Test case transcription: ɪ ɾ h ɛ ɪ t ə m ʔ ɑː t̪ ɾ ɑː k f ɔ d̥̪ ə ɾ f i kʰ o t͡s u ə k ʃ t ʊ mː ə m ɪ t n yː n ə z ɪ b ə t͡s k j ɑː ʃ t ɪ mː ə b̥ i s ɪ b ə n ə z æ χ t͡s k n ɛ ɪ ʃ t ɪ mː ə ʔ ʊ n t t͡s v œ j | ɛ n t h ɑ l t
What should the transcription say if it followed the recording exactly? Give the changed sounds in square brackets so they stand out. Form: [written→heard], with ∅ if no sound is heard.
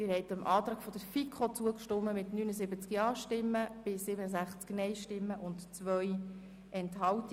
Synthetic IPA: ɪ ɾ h ɛ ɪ t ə m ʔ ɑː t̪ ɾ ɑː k f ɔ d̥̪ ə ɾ f i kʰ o t͡s u ə k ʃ t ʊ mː ə m ɪ t n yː n ə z ɪ b ə t͡s k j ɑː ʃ t ɪ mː ə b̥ [i→ɪ] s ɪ b ə n ə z æ χ t͡s k n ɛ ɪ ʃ t ɪ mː ə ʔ ʊ n t t͡s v œ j | ɛ n t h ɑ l t